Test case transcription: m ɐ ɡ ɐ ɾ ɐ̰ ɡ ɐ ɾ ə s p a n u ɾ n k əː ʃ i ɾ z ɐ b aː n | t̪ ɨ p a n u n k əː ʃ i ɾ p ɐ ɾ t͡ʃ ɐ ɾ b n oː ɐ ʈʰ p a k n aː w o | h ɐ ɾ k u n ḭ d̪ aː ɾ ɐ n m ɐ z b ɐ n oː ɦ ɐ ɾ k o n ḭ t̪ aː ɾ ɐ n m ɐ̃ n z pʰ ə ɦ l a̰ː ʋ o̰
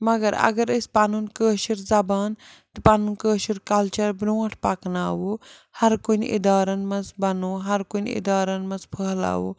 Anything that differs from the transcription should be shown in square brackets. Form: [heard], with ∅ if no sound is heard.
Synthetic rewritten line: m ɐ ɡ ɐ ɾ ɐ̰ ɡ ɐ ɾ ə s p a n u [∅] n k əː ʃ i ɾ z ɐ b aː n | t̪ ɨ p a n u n k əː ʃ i ɾ [k] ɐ [l] t͡ʃ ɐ ɾ b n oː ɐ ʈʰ p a k n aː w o | h ɐ ɾ k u n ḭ d̪ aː ɾ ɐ n m ɐ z b ɐ n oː ɦ ɐ ɾ k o n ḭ [d̪] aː ɾ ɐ n m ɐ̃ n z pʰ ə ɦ l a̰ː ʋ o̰